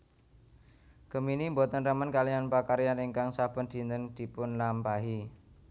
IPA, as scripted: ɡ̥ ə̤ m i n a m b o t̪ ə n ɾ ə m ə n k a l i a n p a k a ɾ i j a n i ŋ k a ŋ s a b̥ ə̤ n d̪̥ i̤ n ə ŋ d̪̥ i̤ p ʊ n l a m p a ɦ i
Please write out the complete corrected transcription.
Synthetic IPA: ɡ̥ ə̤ m i n i m b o t̪ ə n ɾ ə m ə n k a l i a n p a k a ɾ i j a n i ŋ k a ŋ s a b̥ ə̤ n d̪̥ i̤ n ə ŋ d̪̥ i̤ p ʊ n l a m p a ɦ i